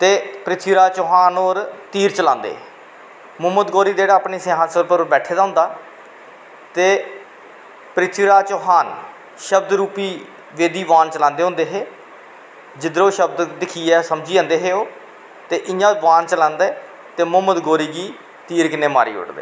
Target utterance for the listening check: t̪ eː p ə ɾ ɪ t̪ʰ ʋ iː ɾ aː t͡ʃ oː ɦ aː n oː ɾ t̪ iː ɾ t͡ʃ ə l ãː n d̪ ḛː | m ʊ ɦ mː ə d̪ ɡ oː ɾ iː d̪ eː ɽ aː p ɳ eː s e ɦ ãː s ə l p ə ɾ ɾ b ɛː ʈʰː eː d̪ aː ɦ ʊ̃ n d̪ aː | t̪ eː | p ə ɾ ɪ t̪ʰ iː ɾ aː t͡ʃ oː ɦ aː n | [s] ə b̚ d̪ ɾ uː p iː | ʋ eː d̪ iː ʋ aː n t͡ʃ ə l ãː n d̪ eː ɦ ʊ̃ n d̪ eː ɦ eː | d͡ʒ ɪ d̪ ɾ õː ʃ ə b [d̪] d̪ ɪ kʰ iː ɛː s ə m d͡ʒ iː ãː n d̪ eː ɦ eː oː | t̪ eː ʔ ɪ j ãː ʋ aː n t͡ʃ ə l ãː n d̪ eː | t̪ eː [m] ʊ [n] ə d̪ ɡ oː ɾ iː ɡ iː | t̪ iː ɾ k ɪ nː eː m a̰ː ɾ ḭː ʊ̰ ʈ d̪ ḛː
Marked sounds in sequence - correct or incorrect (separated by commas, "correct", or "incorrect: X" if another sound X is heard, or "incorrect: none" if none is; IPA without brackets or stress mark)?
incorrect: ʃ, correct, correct, incorrect: m